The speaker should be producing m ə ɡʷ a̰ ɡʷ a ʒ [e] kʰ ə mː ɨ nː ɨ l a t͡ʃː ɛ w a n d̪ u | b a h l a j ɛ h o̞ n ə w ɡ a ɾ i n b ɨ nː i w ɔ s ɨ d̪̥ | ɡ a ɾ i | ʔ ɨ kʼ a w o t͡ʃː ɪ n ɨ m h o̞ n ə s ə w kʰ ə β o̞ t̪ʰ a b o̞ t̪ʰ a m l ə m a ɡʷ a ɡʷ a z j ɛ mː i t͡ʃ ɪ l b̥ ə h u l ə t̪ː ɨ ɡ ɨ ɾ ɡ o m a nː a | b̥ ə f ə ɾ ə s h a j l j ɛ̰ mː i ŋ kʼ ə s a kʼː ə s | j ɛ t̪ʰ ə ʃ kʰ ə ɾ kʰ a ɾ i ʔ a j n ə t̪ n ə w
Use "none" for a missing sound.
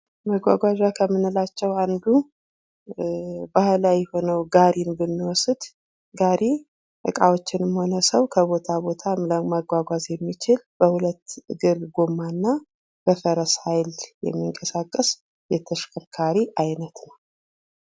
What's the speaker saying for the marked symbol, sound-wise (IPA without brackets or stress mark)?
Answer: a